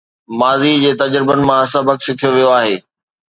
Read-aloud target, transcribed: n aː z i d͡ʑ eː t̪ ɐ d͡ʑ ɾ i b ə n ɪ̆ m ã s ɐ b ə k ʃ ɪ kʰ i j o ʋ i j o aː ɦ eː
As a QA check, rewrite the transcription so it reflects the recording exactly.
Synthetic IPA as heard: m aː z i d͡ʑ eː t̪ ɐ d͡ʑ ɾ ɪ b ə n ɪ̆ m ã s ɐ b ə k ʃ ɪ kʰ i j o ʋ i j o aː ɦ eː

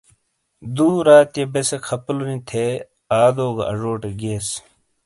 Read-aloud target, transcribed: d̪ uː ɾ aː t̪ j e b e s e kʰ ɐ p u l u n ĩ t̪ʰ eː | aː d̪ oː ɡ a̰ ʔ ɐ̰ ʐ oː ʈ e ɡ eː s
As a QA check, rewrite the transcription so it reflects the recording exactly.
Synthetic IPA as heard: d̪ uː ɾ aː t̪ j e b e s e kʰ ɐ p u l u n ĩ t̪ʰ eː | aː d̪ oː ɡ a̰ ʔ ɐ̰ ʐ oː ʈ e ɡ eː s

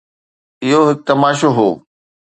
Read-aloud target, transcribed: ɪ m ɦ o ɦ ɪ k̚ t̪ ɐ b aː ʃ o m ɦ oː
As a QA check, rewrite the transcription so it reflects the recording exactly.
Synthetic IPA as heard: ɪ ɦ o ɦ ɪ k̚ t̪ ɐ m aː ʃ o ɦ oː

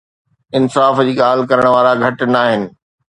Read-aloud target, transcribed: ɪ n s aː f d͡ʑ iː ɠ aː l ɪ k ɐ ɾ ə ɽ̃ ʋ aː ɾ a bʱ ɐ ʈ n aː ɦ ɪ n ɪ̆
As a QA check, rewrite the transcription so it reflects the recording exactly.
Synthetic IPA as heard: ɪ n s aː f d͡ʑ iː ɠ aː l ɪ k ɐ ɾ ə ɽ̃ ʋ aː ɾ a ɡʱ ɐ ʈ n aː ɦ ɪ n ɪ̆

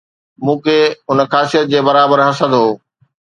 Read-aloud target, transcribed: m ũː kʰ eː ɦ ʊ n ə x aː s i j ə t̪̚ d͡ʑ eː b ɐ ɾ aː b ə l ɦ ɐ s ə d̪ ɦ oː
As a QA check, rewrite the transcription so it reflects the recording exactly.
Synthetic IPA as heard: m ũː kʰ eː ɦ ʊ n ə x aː s i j ə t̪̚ d͡ʑ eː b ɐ ɾ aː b ə ɾ ɦ ɐ s ə d̪ ɦ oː

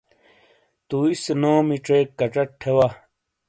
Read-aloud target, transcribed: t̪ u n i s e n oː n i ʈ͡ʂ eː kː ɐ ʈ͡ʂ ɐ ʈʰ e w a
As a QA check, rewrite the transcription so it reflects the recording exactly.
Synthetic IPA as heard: t̪ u i s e n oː m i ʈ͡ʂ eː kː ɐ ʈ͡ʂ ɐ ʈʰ e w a

